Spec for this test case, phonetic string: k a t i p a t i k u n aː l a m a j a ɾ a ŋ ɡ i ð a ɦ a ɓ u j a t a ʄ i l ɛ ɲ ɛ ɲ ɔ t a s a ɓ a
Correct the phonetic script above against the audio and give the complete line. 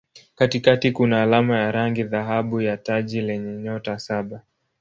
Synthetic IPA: k a t i k a t i k u n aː l a m a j a ɾ a ŋ ɡ i ð a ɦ a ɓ u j a t a ʄ i l ɛ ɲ ɛ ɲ ɔ t a s a ɓ a